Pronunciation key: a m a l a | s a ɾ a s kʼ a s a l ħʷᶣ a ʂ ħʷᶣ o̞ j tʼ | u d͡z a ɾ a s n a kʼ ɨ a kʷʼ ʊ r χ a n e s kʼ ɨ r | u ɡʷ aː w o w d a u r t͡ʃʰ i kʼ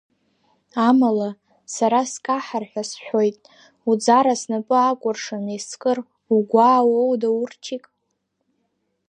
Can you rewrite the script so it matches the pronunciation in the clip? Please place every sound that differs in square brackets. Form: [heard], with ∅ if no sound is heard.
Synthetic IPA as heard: a m a l a | s a ɾ a s kʼ a [ħ] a [r] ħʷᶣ a [s] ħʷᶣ o̞ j tʼ | u d͡z a ɾ a s n a [pʼ] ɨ a kʷʼ ʊ r [ʂ] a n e s kʼ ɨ r | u ɡʷ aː w o w d a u r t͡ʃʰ i kʼ